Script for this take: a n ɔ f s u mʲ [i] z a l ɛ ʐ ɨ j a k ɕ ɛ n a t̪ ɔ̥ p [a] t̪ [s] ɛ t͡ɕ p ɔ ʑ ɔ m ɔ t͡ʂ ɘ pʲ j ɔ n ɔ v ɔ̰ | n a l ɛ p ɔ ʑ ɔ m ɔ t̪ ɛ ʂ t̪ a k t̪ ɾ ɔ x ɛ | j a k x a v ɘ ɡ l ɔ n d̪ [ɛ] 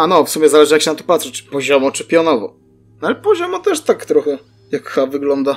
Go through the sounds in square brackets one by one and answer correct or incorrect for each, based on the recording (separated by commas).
incorrect, correct, incorrect, incorrect